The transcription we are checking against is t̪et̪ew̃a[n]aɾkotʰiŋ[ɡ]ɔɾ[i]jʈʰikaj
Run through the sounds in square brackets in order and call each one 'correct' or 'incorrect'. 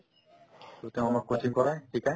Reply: incorrect: m, incorrect: k, incorrect: a

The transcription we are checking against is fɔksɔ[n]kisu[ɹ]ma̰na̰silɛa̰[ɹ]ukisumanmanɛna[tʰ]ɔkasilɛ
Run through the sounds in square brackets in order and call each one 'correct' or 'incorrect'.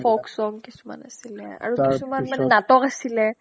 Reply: incorrect: ŋ, incorrect: none, correct, incorrect: t

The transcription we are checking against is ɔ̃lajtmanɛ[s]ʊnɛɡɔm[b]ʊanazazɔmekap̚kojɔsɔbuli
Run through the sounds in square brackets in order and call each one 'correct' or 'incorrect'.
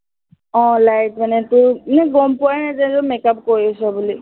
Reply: incorrect: t, incorrect: p

